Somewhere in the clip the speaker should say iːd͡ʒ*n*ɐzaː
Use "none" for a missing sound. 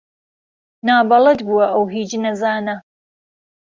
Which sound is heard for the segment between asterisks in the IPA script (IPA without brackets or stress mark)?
n